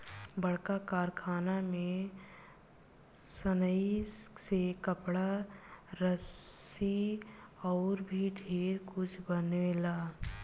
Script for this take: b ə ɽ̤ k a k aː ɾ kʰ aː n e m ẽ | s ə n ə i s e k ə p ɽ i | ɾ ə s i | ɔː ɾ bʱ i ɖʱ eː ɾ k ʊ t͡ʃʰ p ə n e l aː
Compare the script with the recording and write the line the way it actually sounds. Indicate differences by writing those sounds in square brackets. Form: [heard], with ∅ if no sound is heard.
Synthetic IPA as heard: b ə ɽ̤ k a k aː ɾ kʰ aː n [a] m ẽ | s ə n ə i s e k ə p ɽ [a] | ɾ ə s i | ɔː ɾ bʱ i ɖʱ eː ɾ k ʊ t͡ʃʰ [b] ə n e l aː